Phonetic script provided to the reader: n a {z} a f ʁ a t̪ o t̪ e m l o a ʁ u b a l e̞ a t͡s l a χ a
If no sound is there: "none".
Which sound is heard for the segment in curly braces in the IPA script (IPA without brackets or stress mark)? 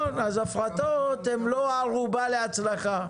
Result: z